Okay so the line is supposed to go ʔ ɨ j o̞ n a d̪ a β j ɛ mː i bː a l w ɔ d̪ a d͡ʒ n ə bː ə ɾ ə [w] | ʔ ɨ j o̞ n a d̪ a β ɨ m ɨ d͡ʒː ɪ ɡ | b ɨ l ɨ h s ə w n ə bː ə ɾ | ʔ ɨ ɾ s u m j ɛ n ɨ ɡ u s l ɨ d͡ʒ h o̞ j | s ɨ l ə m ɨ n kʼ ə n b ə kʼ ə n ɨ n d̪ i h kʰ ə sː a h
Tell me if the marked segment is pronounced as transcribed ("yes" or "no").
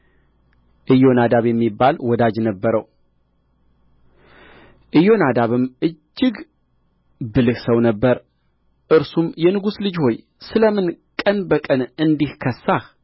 yes